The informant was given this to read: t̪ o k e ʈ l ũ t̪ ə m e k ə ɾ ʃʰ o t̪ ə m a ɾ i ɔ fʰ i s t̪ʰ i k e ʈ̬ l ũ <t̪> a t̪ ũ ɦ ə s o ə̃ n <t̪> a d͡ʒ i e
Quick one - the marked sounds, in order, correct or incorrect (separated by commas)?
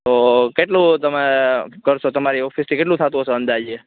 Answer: incorrect, incorrect